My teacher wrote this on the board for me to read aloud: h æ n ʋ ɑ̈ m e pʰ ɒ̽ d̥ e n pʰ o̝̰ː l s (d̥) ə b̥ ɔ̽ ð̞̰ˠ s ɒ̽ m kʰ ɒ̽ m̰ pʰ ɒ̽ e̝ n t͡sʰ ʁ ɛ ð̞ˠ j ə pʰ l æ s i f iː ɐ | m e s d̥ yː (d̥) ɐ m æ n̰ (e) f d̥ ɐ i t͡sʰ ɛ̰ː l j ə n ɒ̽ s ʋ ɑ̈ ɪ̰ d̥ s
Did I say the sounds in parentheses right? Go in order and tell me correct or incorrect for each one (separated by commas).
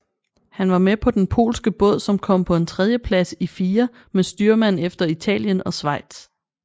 incorrect, incorrect, correct